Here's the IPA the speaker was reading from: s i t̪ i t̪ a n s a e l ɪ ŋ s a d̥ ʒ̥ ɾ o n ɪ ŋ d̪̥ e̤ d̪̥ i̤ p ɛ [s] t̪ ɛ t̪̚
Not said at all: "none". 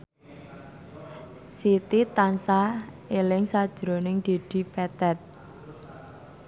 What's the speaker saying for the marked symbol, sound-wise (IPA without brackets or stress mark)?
none